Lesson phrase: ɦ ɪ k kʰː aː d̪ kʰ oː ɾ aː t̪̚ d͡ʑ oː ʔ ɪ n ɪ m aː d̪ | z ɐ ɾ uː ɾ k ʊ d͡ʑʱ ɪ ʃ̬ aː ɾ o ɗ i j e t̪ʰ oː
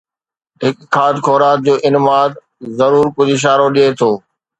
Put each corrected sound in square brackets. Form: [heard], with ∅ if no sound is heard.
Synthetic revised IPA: ɦ ɪ k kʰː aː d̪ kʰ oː ɾ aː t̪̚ d͡ʑ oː ʔ ɪ n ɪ m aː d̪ | z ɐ ɾ uː ɾ k ʊ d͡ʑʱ ɪ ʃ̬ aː ɾ o ɗ i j e t̪ʰ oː